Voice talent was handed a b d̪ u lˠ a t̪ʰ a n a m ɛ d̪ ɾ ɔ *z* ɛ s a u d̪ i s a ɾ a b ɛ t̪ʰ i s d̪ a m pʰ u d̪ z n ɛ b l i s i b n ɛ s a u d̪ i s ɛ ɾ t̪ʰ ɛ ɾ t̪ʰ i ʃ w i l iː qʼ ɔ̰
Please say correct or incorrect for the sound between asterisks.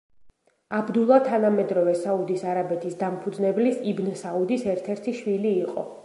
incorrect